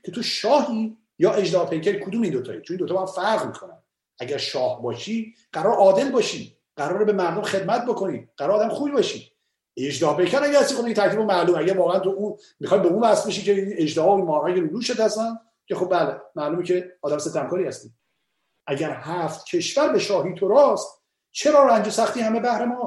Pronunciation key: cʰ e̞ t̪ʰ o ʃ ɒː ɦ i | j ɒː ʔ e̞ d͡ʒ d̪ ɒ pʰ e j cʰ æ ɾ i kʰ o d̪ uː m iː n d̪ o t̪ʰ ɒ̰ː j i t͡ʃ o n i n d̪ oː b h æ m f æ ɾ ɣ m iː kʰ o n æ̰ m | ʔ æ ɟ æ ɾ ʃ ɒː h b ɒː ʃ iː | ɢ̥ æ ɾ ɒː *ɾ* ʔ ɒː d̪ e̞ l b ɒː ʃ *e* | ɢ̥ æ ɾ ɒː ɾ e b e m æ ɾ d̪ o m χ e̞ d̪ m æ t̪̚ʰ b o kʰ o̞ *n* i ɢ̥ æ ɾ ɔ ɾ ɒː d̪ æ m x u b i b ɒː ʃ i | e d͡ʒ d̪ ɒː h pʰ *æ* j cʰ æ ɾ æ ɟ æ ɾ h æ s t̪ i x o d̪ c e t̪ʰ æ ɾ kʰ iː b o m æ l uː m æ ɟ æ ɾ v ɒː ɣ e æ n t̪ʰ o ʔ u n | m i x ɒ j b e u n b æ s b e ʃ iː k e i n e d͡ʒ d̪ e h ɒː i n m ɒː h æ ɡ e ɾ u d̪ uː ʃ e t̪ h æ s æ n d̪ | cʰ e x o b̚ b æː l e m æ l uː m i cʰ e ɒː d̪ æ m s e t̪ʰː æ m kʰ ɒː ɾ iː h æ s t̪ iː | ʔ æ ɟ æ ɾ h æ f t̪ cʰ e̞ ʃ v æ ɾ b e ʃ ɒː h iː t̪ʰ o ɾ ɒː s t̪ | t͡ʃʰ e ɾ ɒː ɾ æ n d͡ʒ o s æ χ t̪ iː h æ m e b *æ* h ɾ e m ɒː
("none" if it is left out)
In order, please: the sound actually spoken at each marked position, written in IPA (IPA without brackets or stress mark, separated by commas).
ɾ, i, n, e, æ